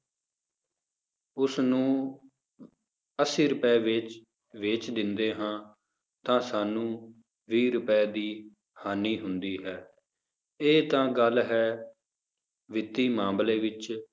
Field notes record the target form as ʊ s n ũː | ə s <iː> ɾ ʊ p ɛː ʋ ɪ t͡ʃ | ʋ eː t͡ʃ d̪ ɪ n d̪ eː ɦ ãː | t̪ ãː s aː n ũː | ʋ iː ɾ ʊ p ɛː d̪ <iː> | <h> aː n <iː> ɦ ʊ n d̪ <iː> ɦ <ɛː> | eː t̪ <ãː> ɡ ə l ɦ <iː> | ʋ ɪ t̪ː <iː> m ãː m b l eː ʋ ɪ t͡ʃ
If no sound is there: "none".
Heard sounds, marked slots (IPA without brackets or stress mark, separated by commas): iː, iː, h, iː, iː, ɛː, ãː, ɛː, iː